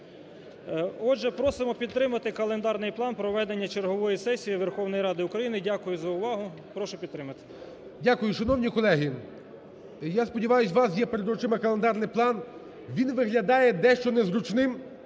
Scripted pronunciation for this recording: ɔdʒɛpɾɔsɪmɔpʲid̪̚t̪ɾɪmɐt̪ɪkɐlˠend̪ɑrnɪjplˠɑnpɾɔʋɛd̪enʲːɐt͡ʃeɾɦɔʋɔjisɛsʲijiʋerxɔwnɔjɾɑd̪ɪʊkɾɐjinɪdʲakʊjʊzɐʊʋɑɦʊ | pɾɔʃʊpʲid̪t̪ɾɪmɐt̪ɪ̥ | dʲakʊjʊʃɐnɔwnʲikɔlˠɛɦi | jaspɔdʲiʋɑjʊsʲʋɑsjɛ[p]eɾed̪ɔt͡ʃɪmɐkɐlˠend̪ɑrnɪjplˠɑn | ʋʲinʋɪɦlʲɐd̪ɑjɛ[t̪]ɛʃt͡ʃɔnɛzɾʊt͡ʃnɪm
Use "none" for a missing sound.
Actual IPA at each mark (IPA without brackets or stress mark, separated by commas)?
p, d̪